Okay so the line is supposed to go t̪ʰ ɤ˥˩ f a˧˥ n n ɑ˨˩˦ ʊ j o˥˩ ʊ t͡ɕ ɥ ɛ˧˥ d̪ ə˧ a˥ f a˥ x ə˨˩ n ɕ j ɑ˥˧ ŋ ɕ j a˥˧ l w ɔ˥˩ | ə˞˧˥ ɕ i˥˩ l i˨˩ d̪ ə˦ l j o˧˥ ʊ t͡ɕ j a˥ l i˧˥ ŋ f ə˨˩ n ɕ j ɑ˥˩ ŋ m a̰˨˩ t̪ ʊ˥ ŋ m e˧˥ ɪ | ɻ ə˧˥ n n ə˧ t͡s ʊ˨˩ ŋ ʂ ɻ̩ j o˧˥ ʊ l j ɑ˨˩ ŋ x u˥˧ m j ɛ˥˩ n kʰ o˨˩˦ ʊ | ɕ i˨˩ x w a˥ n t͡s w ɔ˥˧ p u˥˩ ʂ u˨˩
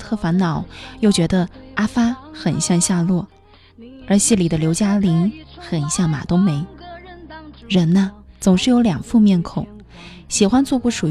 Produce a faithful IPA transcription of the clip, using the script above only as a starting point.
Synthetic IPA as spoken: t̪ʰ ɤ˥˩ f a˧˥ n n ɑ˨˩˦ ʊ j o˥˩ ʊ t͡ɕ ɥ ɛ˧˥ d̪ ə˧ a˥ f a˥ x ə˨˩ n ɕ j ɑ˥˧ ŋ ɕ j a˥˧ l w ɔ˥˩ | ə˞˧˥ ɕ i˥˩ l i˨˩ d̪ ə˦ l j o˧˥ ʊ t͡ɕ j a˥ l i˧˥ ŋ x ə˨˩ n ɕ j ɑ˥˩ ŋ m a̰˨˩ t̪ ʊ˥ ŋ m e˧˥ ɪ | ɻ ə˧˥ n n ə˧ t͡s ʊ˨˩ ŋ ʂ ɻ̩ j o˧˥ ʊ l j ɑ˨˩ ŋ f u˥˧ m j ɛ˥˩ n kʰ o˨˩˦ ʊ | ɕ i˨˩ x w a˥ n t͡s w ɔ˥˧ p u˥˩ ʂ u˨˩